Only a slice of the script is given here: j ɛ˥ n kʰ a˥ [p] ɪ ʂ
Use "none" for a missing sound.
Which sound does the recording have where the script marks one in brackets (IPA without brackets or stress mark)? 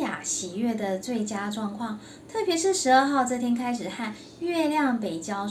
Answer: none